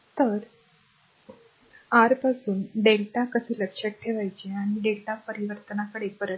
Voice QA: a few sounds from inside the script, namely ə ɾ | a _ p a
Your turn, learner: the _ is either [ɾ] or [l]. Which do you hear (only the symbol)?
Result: ɾ